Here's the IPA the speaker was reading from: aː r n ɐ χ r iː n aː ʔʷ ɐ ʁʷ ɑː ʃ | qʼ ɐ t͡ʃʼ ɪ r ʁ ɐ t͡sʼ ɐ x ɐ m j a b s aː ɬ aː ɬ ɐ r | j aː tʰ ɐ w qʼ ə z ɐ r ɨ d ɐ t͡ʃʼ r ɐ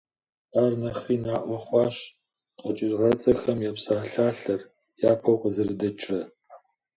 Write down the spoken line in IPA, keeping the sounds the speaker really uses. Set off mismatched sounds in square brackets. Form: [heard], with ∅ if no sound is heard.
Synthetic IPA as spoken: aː r n ɐ χ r iː n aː ʔʷ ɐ [χʷ] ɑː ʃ | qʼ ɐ t͡ʃʼ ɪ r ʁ ɐ t͡sʼ ɐ x ɐ m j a [p] s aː ɬ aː ɬ ɐ r | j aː [pʰ] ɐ w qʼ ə z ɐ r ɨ d ɐ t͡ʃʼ r ɐ